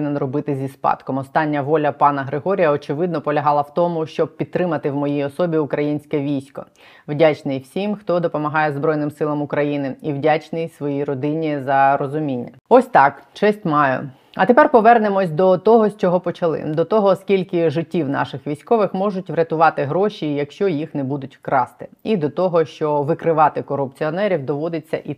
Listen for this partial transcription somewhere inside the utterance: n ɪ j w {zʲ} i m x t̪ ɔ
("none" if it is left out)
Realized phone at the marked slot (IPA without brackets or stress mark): sʲ